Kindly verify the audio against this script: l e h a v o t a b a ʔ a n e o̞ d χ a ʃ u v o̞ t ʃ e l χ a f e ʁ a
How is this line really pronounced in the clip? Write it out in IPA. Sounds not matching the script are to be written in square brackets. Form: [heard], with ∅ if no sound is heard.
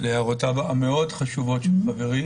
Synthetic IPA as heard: l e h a [ʁ] o t a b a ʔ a [m] e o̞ d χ a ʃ u v o̞ t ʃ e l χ a [v] e ʁ [i]

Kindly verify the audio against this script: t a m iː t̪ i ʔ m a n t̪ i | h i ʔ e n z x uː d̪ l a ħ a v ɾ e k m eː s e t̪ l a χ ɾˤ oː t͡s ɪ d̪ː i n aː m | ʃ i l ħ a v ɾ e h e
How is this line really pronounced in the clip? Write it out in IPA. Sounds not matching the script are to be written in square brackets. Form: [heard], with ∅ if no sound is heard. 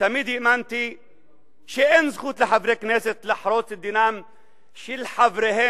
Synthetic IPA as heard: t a m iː [d̪] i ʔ m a n t̪ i | [ʃ] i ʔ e n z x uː [t̪] l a ħ a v ɾ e k [n] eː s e t̪ l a [ħ] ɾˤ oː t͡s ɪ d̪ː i n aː m | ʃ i l ħ a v ɾ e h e

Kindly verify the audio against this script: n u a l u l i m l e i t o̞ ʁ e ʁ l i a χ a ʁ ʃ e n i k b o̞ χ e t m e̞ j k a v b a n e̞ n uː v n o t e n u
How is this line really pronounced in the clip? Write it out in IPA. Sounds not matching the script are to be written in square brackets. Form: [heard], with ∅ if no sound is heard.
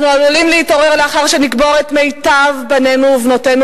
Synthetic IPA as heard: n u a l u l i m l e i t o̞ ʁ e ʁ l [e] a χ a ʁ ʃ e n i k b o̞ [ʁ] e t m e̞ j [t] a v b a n e̞ n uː v n o t e n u

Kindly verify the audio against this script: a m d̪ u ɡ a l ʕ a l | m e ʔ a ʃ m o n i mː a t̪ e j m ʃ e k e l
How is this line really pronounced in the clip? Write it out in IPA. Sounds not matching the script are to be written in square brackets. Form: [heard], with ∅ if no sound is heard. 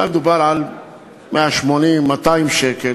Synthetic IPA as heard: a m d̪ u [b] a [ɾ] ʕ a l | m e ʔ a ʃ m o n i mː a t̪ [a] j m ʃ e k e l

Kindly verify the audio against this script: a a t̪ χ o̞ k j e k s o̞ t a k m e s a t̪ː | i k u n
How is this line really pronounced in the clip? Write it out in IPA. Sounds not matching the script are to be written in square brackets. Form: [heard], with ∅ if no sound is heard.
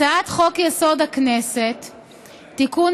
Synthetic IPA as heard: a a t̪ χ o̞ k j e [∅] s o̞ [d] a k [n] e s [e] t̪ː | i k u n

